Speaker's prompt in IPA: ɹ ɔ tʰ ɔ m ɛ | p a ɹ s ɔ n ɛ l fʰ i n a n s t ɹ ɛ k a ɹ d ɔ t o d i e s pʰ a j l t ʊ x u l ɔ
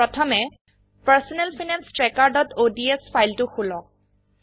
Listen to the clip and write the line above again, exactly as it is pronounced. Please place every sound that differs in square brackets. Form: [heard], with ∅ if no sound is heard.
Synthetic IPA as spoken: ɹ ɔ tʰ ɔ m ɛ | p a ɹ s ɔ n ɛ l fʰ i n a n s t ɹ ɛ k a ɹ d ɔ t o d i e s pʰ a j l t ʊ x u l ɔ